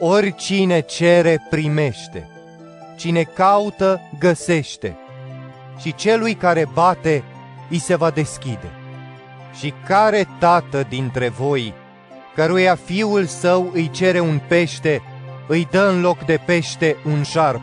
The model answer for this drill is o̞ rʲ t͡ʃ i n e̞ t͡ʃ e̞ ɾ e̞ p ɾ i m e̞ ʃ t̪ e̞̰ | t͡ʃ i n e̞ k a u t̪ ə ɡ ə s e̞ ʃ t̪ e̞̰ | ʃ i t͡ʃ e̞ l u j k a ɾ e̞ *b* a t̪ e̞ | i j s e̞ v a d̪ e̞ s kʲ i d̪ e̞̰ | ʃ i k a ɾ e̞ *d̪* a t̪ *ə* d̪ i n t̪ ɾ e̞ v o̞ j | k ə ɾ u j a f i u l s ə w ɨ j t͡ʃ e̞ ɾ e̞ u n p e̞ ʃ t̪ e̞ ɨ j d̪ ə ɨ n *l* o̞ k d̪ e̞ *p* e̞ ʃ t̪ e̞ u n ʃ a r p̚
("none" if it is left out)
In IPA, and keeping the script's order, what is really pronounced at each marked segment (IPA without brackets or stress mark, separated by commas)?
b, t̪, ə, l, p